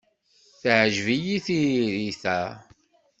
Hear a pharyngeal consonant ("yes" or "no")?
yes